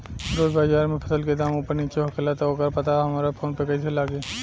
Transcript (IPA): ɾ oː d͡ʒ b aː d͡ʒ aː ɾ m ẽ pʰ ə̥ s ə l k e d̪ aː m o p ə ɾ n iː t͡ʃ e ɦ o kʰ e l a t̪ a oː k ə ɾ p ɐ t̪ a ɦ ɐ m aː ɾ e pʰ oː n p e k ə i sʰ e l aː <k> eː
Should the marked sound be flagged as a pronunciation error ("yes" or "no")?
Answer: yes